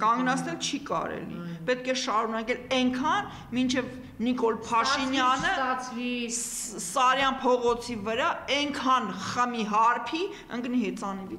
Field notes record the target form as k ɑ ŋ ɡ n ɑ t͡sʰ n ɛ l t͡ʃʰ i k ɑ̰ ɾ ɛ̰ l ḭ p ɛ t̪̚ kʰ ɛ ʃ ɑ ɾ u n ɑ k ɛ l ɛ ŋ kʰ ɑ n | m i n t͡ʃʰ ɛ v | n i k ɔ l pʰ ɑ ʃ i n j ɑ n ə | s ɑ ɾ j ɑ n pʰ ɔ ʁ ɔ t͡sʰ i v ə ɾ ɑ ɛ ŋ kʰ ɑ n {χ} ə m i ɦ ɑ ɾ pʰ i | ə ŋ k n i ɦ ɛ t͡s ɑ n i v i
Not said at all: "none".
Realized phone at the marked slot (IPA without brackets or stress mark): χ